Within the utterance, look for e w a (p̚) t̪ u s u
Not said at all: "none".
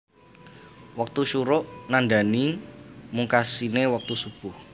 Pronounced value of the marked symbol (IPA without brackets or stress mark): k̚